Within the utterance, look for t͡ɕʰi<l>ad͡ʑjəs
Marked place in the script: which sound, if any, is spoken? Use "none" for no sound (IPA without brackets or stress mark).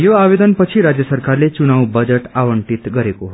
ɾ